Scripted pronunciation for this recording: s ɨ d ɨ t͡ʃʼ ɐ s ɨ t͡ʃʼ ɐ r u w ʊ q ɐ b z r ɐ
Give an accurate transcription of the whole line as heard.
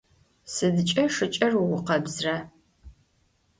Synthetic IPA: s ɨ d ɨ t͡ʃʼ ɐ ʂ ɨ t͡ʃʼ ɐ r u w ʊ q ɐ b z r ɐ